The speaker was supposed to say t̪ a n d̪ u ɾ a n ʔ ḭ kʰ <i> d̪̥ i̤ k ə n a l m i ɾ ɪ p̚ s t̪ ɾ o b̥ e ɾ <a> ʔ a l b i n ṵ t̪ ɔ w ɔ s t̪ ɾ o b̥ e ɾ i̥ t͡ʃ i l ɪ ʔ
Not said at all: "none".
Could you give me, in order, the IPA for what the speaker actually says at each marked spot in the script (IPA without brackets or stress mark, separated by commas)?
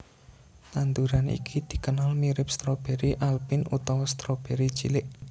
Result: i, i